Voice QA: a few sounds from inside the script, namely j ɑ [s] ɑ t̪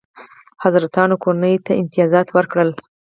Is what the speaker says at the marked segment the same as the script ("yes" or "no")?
no